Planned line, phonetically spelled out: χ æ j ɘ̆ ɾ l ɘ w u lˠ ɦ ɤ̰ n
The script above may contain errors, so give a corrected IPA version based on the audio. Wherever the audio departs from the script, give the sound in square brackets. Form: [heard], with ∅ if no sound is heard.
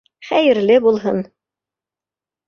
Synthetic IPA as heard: χ æ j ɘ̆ ɾ l ɘ [b] u lˠ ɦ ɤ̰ n